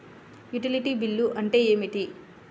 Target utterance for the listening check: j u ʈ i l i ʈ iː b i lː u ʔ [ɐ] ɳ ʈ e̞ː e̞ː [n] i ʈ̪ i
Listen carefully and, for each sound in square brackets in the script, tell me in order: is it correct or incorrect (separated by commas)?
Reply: correct, incorrect